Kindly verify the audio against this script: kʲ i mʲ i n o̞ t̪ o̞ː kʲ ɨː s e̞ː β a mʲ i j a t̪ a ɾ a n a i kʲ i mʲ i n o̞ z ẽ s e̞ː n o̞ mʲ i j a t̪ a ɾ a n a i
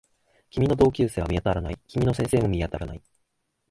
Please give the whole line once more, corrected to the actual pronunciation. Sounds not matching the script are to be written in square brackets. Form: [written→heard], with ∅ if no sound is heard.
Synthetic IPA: kʲ i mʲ i n o̞ [t̪→d̪] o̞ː kʲ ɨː s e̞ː β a mʲ i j a t̪ a ɾ a n a i kʲ i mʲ i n o̞ [z→s] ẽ s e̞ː [n→m] o̞ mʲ i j a t̪ a ɾ a n a i